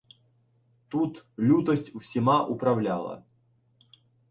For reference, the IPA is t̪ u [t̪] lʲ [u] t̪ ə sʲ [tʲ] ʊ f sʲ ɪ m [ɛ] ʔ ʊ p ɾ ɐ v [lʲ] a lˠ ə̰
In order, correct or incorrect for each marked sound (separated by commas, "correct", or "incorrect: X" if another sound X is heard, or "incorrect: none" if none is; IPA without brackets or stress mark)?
correct, correct, correct, incorrect: a, correct